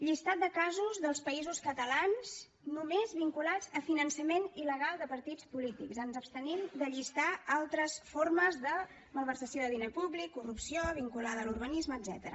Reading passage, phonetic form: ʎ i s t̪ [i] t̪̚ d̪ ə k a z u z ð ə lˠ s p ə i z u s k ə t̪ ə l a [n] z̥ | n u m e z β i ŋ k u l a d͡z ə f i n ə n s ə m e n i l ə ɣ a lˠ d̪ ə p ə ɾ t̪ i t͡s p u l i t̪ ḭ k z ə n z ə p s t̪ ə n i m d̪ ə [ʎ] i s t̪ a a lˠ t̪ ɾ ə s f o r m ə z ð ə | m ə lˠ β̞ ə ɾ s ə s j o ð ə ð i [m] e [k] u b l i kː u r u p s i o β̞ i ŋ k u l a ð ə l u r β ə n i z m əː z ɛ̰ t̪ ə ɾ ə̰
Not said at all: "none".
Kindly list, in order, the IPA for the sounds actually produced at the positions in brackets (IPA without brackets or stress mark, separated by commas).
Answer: a, n, ʎ, n, p